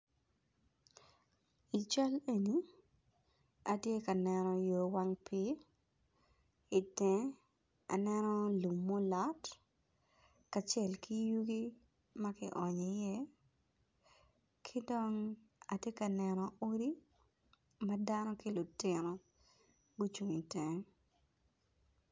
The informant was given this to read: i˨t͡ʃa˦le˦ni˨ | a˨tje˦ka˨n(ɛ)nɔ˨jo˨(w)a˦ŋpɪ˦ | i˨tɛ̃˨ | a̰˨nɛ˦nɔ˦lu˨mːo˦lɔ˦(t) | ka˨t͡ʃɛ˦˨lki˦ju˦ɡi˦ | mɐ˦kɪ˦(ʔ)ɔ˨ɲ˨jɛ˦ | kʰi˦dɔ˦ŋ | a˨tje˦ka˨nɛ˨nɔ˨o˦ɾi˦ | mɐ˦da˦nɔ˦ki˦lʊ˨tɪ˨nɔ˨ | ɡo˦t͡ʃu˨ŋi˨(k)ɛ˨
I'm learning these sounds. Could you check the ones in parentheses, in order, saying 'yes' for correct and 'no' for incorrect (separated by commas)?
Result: yes, yes, yes, yes, no